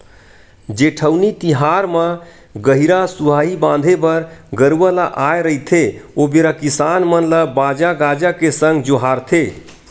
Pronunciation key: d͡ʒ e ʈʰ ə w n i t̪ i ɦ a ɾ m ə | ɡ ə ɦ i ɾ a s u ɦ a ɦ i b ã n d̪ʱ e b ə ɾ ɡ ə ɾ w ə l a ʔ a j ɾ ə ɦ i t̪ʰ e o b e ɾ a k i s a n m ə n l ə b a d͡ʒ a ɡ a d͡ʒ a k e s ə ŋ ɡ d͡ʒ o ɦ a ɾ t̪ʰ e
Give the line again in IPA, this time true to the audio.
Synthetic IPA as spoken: d͡ʒ e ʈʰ ə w n i t̪ i ɦ a ɾ m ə | ɡ ə ɦ i ɾ a s u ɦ a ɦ i b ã n d̪ʱ e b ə ɾ ɡ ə ɾ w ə l a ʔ a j ɾ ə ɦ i t̪ʰ e o b e ɾ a k i s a n m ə n l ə b a d͡ʒ a ɡ a d͡ʒ a k e s ə ŋ ɡ d͡ʒ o ɦ a ɾ t̪ʰ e